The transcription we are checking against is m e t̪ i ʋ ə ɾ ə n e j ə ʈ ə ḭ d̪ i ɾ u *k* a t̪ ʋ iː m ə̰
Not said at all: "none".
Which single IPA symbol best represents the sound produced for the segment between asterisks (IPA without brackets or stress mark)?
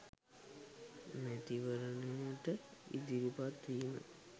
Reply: p